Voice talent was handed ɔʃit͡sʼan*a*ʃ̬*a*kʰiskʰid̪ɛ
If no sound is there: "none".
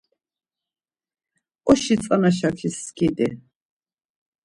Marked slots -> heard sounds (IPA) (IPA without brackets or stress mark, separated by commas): a, a